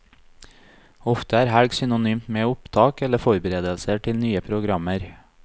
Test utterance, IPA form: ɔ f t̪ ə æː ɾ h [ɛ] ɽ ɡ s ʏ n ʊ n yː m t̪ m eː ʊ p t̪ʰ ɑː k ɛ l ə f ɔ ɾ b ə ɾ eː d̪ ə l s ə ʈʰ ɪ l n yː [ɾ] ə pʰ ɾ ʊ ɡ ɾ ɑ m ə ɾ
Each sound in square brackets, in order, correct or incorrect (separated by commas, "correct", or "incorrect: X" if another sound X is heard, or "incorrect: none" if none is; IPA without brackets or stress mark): incorrect: æ, incorrect: none